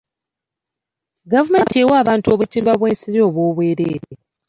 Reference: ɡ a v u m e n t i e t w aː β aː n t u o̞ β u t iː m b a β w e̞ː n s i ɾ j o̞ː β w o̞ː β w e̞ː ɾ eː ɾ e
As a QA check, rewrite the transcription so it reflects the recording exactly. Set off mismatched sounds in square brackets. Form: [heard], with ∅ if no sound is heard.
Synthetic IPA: ɡ a v u m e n t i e [∅] w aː β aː n t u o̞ β u t iː m b a β w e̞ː n s i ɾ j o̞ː β w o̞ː β w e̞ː ɾ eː ɾ e